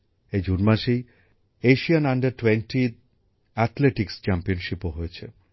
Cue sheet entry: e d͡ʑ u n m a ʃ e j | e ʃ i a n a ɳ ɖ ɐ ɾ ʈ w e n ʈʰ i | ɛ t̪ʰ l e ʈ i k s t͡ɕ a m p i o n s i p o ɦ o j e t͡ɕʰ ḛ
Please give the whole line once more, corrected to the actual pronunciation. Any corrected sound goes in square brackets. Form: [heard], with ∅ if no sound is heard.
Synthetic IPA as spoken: e d͡ʑ u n m a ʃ e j | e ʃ i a n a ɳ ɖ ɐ ɾ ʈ w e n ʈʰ i | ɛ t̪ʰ l e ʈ i k s t͡ɕ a m p i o n [ʃ] i p o ɦ o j e t͡ɕʰ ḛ